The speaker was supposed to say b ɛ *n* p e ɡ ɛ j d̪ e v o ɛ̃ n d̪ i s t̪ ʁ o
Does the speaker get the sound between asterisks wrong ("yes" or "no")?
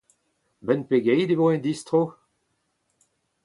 no